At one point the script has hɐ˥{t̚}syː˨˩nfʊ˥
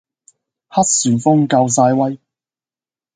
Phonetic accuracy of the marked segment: correct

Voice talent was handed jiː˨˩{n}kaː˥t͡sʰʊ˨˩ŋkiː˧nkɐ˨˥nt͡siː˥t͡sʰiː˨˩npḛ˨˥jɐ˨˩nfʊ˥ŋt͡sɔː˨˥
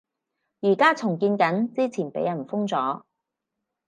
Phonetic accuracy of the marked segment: incorrect: none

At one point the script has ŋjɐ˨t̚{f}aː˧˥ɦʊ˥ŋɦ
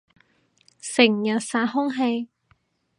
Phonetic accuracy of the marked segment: incorrect: s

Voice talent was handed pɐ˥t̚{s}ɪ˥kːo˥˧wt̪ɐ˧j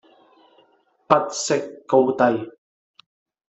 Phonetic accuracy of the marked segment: correct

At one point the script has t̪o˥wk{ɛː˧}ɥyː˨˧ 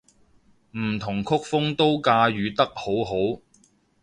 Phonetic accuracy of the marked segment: incorrect: aː˧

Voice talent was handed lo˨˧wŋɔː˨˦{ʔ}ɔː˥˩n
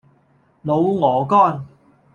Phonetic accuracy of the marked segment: incorrect: k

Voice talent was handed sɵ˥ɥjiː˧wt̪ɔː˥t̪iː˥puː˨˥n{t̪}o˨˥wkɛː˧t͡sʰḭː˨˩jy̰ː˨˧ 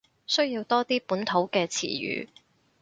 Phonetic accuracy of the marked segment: incorrect: t̪ʰ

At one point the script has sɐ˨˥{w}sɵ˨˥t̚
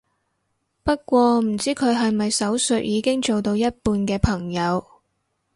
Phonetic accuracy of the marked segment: correct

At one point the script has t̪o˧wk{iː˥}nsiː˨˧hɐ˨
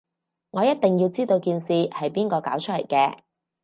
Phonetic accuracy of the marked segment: incorrect: iː˧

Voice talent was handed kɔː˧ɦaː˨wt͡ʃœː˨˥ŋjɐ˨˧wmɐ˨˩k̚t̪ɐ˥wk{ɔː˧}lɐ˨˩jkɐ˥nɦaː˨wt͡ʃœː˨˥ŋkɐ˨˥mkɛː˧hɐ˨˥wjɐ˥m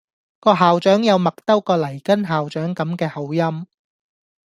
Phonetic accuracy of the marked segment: correct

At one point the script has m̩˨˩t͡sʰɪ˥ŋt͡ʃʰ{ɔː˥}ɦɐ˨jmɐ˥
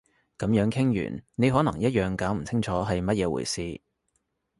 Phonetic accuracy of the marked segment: incorrect: ɔː˨˥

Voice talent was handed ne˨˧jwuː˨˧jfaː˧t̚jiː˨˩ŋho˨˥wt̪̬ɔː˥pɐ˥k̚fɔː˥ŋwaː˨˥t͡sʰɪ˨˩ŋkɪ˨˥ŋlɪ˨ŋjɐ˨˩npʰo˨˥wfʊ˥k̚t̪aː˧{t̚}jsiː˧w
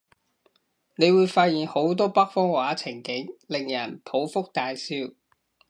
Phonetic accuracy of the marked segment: incorrect: none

